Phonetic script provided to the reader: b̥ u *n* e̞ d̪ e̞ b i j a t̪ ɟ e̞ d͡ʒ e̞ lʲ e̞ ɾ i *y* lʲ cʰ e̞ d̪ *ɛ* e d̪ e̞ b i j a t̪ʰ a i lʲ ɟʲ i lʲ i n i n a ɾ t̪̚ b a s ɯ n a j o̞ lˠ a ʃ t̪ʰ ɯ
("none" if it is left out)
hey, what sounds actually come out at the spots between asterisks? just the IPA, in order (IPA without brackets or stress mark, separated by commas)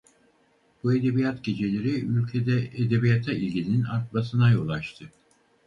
none, y, ɛ